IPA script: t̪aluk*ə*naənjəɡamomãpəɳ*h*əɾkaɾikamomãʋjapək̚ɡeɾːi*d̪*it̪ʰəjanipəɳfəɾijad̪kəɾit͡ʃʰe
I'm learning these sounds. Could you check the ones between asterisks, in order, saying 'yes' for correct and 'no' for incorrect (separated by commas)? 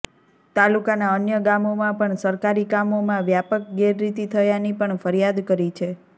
no, no, no